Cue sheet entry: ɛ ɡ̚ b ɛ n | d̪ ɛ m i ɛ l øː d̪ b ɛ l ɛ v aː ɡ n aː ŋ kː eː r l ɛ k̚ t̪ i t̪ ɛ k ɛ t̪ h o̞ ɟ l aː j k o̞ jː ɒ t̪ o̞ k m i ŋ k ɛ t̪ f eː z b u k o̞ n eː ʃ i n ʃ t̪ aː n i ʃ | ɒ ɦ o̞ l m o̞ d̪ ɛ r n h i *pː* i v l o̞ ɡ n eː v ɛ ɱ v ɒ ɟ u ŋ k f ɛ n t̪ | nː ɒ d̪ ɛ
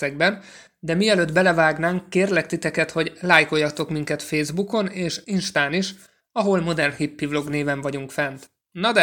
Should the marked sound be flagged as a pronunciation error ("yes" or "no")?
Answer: no